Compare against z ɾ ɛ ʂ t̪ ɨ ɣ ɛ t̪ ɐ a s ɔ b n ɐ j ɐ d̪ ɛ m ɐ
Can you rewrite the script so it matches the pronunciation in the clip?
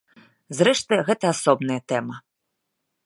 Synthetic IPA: z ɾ ɛ ʂ t̪ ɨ ɣ ɛ t̪ ɐ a s ɔ b n ɐ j ɐ t̪ ɛ m ɐ